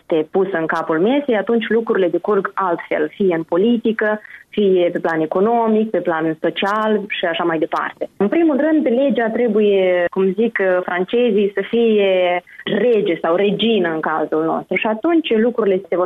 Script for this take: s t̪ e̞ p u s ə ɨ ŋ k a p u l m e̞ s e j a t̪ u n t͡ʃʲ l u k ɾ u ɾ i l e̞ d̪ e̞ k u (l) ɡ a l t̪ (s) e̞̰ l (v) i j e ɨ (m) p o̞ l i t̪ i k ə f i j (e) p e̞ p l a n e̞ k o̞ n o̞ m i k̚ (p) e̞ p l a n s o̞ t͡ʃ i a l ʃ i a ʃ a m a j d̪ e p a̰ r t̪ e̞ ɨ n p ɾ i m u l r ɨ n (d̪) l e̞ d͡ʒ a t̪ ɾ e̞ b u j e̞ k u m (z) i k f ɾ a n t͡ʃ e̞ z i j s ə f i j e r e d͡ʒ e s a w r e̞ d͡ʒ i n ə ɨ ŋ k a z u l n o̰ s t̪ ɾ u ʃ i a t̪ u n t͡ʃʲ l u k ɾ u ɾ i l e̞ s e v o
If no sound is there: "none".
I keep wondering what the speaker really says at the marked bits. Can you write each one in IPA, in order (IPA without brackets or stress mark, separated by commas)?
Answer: r, f, f, n, e, p, d̪, z